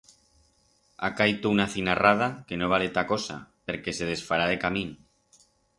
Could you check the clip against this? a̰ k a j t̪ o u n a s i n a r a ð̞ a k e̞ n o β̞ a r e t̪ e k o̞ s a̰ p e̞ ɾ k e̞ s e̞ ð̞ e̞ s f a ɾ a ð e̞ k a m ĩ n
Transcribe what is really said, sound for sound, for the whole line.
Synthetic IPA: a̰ k a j t̪ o u n a θ i n a r a ð̞ a k e̞ n o β̞ a l e t̪ a k o̞ s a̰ p e̞ ɾ k e̞ s e̞ ð̞ e̞ s f a ɾ a ð e̞ k a m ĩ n